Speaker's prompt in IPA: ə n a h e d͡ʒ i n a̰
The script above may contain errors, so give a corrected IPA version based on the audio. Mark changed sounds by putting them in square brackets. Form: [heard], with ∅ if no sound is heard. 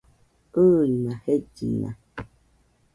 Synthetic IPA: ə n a h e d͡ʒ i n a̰